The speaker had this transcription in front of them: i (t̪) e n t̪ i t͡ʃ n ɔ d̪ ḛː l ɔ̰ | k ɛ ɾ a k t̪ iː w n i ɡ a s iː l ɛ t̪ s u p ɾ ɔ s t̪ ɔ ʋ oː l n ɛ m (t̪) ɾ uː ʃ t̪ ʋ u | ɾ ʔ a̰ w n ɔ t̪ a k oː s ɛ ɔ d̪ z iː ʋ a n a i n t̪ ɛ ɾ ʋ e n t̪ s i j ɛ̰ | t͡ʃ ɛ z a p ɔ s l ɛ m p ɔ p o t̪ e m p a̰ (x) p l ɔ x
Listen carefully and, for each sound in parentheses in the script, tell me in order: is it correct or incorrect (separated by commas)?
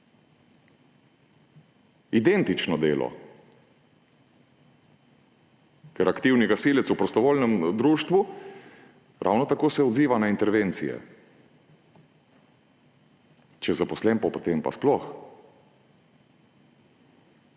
incorrect, incorrect, incorrect